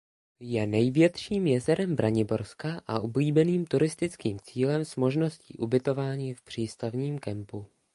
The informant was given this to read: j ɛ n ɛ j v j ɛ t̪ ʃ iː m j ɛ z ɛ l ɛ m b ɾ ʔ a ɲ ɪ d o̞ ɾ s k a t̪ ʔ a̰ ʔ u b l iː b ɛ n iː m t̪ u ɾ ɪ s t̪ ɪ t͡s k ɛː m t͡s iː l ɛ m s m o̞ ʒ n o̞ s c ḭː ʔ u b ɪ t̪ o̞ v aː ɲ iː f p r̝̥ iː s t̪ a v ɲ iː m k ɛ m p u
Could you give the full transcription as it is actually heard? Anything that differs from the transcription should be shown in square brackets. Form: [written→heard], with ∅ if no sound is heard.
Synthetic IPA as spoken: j ɛ n ɛ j v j ɛ t̪ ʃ iː m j ɛ z ɛ [l→ɾ] ɛ m b ɾ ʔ a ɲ ɪ [d→b] o̞ ɾ s k a [t̪→∅] ʔ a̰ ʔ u b l iː b ɛ n iː m t̪ u ɾ ɪ s t̪ ɪ t͡s k [ɛː→iː] m t͡s iː l ɛ m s m o̞ ʒ n o̞ s c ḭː ʔ u b ɪ t̪ o̞ v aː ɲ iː f p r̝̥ iː s t̪ a v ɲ iː m k ɛ m p u